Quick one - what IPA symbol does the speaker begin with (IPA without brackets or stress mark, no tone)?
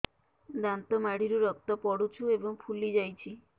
d̪